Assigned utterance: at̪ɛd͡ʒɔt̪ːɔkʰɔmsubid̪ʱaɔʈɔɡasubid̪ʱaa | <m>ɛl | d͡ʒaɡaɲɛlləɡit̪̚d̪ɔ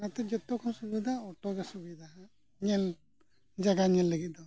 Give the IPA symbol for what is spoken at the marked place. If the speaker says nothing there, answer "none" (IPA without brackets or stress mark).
ɲ